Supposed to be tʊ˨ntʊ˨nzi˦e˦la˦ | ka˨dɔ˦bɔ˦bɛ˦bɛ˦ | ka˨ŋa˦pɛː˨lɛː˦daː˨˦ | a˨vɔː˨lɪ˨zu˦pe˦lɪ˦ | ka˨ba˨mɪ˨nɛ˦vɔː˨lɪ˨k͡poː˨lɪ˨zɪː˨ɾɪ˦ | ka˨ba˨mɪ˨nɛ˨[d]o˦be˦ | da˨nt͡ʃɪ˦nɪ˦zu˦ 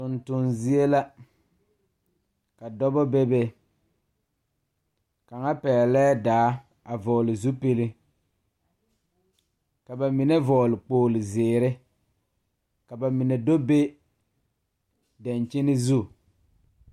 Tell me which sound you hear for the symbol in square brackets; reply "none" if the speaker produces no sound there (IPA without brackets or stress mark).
d